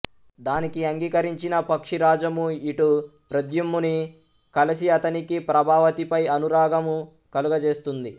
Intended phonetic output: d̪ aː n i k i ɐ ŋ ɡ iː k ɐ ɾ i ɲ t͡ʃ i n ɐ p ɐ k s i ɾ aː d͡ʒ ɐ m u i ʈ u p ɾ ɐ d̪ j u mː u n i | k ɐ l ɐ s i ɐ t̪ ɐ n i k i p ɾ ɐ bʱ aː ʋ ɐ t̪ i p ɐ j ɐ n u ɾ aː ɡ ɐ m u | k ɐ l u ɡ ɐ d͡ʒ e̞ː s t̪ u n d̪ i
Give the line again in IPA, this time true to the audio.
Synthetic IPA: d̪ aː n i k i ɐ ŋ ɡ iː k ɐ ɾ i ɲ t͡ʃ i n ɐ p ɐ k ʂ i ɾ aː d͡ʒ ɐ m u i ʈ u p ɾ ɐ d̪ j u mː u n i | k ɐ l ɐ s i ɐ t̪ ɐ n i k i p ɾ ɐ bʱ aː ʋ ɐ t̪ i p ɐ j ɐ n u ɾ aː ɡ ɐ m u | k ɐ l u ɡ ɐ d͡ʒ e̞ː s t̪ u n d̪ i